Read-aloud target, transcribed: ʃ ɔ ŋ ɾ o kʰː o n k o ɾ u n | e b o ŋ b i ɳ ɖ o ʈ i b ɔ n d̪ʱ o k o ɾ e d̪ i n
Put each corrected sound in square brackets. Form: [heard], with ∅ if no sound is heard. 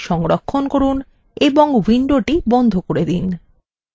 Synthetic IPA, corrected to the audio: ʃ ɔ ŋ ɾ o kʰː o n k o ɾ u n | e b o ŋ [w] i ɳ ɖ o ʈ i b ɔ n d̪ʱ o k o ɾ e d̪ i n